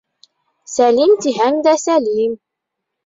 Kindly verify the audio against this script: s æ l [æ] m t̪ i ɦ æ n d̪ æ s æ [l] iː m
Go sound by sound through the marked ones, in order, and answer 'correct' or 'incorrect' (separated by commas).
incorrect, correct